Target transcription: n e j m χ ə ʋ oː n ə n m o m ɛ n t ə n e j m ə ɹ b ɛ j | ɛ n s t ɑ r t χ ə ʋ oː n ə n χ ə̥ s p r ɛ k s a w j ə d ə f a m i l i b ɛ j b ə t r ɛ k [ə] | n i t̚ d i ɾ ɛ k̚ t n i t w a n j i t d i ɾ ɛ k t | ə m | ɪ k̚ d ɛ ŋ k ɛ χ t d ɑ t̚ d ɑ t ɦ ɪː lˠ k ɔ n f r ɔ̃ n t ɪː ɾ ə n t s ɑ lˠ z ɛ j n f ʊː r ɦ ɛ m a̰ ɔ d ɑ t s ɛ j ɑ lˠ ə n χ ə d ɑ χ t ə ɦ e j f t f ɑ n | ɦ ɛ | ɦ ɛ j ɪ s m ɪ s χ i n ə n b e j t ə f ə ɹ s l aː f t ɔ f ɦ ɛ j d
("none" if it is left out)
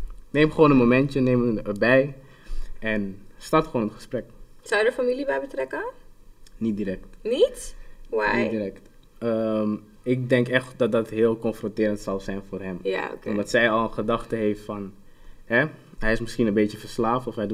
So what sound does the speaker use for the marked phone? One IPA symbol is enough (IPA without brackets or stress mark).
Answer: ə